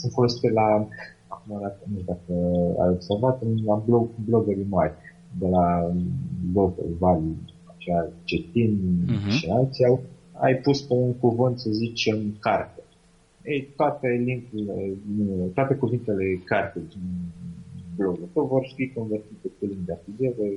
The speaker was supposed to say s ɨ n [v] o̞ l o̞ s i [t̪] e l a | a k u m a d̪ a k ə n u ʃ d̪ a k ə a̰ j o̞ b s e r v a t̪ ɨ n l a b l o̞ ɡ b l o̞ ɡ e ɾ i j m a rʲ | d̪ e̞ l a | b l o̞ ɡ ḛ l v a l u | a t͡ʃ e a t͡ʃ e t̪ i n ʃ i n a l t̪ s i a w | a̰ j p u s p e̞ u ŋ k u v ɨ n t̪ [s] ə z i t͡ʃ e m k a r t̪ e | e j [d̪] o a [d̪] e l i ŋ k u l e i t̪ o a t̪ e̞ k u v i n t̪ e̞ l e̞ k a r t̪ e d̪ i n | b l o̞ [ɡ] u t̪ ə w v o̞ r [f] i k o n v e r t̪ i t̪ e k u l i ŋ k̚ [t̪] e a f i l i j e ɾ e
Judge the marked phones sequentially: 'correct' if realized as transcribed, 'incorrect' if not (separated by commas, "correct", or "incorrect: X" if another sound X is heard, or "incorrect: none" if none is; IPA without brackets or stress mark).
incorrect: f, correct, correct, incorrect: t̪, incorrect: t̪, correct, correct, incorrect: d̪